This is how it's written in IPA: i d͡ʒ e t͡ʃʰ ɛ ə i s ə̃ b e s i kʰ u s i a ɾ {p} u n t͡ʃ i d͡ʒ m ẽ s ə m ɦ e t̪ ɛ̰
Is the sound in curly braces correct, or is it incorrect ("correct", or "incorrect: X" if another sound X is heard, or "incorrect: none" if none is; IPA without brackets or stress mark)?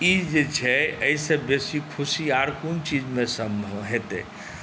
incorrect: k